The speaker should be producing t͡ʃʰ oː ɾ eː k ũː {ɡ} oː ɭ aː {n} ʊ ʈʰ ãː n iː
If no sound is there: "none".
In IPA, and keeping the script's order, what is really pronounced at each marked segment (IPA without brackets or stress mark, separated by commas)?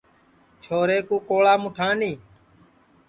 k, m